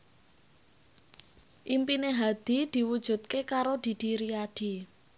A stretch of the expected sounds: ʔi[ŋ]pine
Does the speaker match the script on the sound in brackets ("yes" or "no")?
no